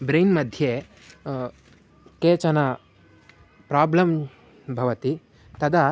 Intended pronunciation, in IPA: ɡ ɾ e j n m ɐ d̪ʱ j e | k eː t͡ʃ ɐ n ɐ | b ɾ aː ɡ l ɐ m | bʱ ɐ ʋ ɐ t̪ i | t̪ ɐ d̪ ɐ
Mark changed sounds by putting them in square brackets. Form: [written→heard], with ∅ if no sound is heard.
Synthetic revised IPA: [ɡ→b] ɾ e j n m ɐ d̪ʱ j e | k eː t͡ʃ ɐ n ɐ | [b→p] ɾ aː [ɡ→b] l ɐ m | bʱ ɐ ʋ ɐ t̪ i | t̪ ɐ d̪ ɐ